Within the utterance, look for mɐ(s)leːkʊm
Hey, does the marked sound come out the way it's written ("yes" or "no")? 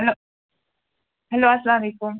no